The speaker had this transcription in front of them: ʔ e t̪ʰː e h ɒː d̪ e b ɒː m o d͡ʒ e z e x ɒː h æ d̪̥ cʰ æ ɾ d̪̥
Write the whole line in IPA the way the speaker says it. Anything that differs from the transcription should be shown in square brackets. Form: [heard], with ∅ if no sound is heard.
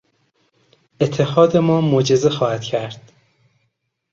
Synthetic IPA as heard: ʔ e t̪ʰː e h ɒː d̪ e [m] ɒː m o d͡ʒ e z e x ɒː h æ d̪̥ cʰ æ ɾ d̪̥